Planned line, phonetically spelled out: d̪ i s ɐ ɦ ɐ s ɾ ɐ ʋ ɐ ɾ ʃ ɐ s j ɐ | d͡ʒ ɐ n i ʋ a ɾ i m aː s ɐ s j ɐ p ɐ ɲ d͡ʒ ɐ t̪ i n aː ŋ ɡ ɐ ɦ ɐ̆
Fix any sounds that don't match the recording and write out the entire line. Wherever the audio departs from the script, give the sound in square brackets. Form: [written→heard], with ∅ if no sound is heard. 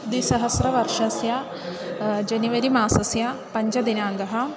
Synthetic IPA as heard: d̪ i s ɐ ɦ ɐ s ɾ ɐ ʋ ɐ ɾ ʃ ɐ s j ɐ | d͡ʒ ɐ n i ʋ [a→ɐ] ɾ i m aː s ɐ s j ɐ p ɐ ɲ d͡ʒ ɐ [t̪→d̪] i n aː ŋ ɡ ɐ ɦ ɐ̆